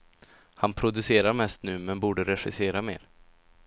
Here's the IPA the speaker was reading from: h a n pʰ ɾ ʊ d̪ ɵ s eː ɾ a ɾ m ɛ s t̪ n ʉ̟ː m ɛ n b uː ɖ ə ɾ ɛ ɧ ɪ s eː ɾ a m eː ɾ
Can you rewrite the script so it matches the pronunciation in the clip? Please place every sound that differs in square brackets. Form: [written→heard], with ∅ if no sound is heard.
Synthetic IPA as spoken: h a n pʰ ɾ ʊ d̪ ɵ s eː ɾ a ɾ m ɛ s t̪ n ʉ̟ː m ɛ n b uː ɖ ə ɾ ɛ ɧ ɪ s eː ɾ a m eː ɾ